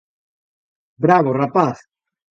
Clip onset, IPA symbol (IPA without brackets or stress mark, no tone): b